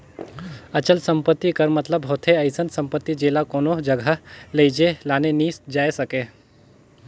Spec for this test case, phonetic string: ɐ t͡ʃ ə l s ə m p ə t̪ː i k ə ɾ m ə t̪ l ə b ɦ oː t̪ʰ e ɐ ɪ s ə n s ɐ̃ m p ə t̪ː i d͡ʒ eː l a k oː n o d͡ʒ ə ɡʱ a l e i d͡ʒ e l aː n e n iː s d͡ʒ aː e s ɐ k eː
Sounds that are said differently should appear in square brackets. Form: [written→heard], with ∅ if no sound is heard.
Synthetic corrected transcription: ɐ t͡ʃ ə l s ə m p ə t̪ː i k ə ɾ m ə t̪ l ə b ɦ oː t̪ʰ e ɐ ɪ s ə n s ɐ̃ m p ə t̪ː i d͡ʒ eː l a k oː n o d͡ʒ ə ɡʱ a l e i d͡ʒ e l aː n e n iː s d͡ʒ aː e s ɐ k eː

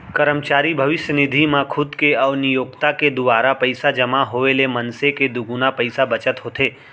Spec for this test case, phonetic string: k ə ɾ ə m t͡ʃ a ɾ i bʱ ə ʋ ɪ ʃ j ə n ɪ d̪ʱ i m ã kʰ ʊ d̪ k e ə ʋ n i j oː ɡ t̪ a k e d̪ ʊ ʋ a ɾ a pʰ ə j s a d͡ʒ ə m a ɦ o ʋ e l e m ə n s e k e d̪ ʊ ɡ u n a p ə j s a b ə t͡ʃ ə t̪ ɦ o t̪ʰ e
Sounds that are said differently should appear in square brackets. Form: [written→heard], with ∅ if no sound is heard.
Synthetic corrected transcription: k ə ɾ ə m t͡ʃ a ɾ i bʱ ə ʋ ɪ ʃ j ə n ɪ d̪ʱ i m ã kʰ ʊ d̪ k e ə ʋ n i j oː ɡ t̪ a k e d̪ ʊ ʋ a ɾ a [pʰ→p] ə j s a d͡ʒ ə m a ɦ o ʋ e l e m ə n s e k e d̪ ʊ ɡ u n a p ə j s a b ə t͡ʃ ə t̪ ɦ o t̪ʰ e

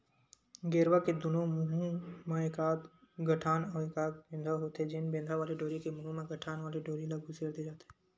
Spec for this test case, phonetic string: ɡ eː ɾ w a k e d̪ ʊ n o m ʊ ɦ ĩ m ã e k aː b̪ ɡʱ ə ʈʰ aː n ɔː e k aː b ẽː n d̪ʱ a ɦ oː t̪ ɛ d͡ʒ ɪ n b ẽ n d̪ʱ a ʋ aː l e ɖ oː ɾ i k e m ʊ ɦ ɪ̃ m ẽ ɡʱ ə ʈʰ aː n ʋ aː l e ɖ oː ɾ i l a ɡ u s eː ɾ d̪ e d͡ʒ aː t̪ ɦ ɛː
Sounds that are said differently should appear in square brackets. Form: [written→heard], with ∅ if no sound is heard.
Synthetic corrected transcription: ɡ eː ɾ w a k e d̪ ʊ n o m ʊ ɦ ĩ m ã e k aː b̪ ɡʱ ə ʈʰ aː n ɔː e k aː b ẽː n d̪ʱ a ɦ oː t̪ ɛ d͡ʒ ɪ n b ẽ n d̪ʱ a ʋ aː l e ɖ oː ɾ i k e m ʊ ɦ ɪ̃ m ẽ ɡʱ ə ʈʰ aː n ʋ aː l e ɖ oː ɾ i l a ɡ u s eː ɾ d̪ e d͡ʒ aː t̪ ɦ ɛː

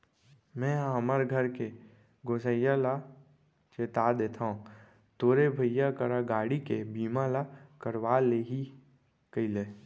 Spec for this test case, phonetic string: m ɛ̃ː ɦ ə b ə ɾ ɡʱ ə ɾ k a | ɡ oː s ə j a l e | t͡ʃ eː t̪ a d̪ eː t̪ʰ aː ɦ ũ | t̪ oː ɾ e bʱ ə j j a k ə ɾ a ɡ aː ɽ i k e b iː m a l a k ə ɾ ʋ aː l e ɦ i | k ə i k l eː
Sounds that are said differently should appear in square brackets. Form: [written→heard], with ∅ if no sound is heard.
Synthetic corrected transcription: m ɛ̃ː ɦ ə [b→m] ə ɾ ɡʱ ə ɾ k [a→e] | ɡ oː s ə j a l [e→a] | t͡ʃ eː t̪ a d̪ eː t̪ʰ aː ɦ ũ | t̪ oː ɾ e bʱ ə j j a k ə ɾ a ɡ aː ɽ i k e b iː m a l a k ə ɾ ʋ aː l e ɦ i | k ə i [k→∅] l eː

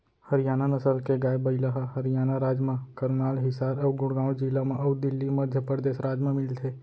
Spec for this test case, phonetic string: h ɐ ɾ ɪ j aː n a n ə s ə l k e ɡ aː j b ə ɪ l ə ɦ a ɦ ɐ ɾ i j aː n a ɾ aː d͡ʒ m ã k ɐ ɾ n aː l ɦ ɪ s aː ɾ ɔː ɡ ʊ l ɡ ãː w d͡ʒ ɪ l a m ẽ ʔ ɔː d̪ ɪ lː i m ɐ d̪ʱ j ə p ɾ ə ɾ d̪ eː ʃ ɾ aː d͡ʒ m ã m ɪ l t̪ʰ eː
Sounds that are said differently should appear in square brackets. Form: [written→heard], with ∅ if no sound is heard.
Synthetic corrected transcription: h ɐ ɾ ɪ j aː n a n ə s ə l k e ɡ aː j b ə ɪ l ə ɦ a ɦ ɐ ɾ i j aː n a ɾ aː d͡ʒ m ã k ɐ ɾ n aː l ɦ ɪ s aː ɾ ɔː ɡ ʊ [l→ɽ] ɡ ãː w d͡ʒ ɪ l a m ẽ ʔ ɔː d̪ ɪ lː i m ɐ d̪ʱ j ə p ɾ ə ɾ d̪ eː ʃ ɾ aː d͡ʒ m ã m ɪ l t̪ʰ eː

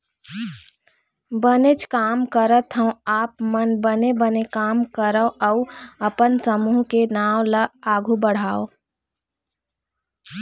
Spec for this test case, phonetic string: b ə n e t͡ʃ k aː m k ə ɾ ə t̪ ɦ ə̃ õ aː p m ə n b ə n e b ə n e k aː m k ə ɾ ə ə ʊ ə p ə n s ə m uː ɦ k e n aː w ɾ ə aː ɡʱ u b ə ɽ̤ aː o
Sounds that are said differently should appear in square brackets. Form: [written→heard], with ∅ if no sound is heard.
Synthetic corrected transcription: b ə n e t͡ʃ k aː m k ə ɾ ə t̪ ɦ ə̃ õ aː p m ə n b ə n e b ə n e k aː m k ə ɾ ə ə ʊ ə p ə n s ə m uː ɦ k e n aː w [ɾ→l] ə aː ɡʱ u b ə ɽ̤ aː o

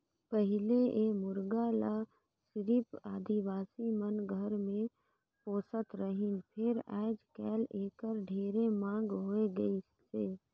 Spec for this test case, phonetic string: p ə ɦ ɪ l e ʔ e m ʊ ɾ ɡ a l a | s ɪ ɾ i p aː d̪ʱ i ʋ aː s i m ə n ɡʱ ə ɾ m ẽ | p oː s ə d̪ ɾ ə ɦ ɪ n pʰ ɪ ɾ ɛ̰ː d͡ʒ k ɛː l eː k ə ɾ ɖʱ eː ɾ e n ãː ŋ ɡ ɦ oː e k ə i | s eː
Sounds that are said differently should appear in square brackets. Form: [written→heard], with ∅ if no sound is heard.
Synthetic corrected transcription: p ə ɦ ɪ l e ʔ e m ʊ ɾ ɡ a l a | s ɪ ɾ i p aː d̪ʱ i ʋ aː s i m ə n ɡʱ ə ɾ m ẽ | p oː s ə [d̪→t̪] ɾ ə ɦ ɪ n pʰ ɪ ɾ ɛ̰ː d͡ʒ k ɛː l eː k ə ɾ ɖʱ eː ɾ e [n→m] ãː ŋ ɡ ɦ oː e [k→ɡ] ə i | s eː

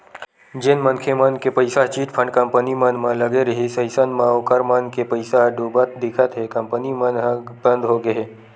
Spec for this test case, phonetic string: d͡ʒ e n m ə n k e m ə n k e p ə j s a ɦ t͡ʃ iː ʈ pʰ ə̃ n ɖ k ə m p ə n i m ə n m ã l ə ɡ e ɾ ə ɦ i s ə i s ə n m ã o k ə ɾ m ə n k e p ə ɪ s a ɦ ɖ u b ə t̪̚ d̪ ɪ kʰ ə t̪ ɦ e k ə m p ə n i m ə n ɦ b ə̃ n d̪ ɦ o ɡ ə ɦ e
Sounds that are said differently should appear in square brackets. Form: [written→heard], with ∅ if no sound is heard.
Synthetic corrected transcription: d͡ʒ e n m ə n [k→kʰ] e m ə n k e p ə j s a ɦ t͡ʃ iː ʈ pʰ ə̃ [n→ɳ] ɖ k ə m p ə n i m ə n m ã l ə ɡ e ɾ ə ɦ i s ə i s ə n m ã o k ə ɾ m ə n k e p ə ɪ s a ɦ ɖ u b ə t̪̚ d̪ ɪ kʰ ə t̪ ɦ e k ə m p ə n i m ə n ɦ b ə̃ n d̪ ɦ o ɡ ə ɦ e

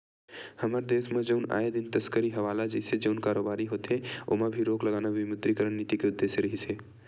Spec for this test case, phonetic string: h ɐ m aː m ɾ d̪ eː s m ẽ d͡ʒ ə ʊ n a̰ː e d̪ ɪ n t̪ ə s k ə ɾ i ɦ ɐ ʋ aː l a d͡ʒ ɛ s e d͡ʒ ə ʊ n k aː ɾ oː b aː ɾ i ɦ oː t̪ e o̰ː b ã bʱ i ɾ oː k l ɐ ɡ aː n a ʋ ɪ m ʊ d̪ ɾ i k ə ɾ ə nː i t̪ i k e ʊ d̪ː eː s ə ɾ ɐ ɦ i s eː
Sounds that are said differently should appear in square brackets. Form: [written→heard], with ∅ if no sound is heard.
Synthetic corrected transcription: h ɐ m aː [m→∅] ɾ d̪ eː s m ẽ d͡ʒ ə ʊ n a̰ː e d̪ ɪ n t̪ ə s k ə ɾ i ɦ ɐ ʋ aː l a d͡ʒ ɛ s e d͡ʒ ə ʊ n k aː ɾ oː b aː ɾ i ɦ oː t̪ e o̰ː [b→m] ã bʱ i ɾ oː k l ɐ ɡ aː n a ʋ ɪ m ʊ d̪ ɾ i k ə ɾ ə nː i t̪ i k e ʊ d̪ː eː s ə ɾ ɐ ɦ i s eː

